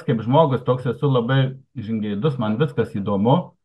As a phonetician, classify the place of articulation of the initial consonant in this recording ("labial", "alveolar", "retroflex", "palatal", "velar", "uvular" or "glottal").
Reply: velar